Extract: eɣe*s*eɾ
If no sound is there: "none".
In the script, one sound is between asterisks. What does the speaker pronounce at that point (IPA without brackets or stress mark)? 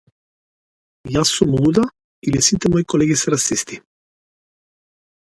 s